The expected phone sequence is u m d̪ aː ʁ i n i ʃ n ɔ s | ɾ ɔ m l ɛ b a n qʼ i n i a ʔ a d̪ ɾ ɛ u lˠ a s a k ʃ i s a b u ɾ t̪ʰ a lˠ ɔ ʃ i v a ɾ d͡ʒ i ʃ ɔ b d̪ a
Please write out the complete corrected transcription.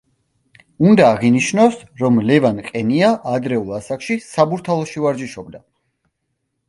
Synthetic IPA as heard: u n d̪ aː ʁ i n i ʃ n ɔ s | ɾ ɔ m l ɛ v a n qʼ ɛ n i a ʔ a d̪ ɾ ɛ u lˠ a s a k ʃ i s a b u ɾ t̪ʰ a lˠ ɔ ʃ i v a ɾ d͡ʒ i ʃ ɔ b d̪ a